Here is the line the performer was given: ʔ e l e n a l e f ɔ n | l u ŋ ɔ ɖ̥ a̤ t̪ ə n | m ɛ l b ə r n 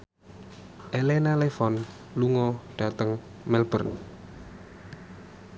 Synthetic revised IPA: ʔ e l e n a l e f ɔ n | l u ŋ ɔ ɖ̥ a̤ t̪ ə ŋ | m ɛ l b ə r n